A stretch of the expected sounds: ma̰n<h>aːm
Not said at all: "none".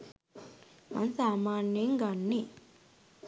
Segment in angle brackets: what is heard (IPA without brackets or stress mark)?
s